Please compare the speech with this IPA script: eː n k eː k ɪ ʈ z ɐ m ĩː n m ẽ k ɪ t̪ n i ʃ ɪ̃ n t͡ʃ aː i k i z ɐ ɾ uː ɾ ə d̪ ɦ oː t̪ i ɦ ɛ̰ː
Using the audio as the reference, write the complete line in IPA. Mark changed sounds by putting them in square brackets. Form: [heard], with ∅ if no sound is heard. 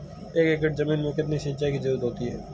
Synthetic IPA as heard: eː [∅] k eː k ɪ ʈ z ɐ m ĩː n m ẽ k ɪ t̪ n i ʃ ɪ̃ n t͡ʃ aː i k i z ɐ ɾ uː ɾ ə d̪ ɦ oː t̪ i ɦ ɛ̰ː